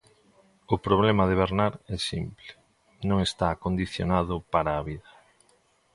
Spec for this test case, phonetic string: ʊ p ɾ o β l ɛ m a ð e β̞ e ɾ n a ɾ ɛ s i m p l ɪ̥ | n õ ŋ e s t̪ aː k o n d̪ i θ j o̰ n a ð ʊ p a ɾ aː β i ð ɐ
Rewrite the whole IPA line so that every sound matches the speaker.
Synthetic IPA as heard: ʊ p ɾ o β l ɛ m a ð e β̞ e ɾ n a ɾ ɛ s i m p l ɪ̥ | n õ ŋ e s t̪ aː k o n d̪ i θ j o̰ n a ð ʊ p a ɾ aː β i ð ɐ